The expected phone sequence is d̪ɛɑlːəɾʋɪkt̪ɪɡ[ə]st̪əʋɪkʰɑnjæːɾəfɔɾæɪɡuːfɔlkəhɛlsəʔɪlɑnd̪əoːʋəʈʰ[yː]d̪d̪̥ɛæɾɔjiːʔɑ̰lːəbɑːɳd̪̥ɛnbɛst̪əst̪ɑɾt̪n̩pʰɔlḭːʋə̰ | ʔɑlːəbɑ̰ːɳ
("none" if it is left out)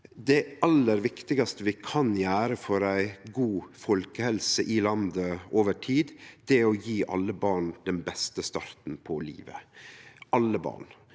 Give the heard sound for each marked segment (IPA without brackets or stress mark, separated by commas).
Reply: ɑ, iː